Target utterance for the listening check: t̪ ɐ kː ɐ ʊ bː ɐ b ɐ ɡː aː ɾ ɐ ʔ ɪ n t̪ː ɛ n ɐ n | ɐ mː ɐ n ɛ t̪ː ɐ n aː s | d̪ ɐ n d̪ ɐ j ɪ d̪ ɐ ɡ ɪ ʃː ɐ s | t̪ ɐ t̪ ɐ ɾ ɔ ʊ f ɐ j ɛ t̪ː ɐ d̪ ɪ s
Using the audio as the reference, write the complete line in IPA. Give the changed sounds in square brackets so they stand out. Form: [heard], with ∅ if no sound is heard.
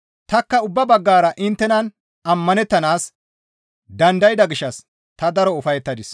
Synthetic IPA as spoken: t̪ ɐ kː ɐ ʊ bː ɐ b ɐ ɡː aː ɾ ɐ ʔ ɪ n t̪ː ɛ n ɐ n | ɐ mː ɐ n ɛ t̪ː ɐ n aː s | d̪ ɐ n d̪ ɐ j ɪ d̪ ɐ ɡ ɪ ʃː ɐ s | t̪ ɐ [d̪] ɐ ɾ ɔ ʊ f ɐ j ɛ t̪ː ɐ d̪ ɪ s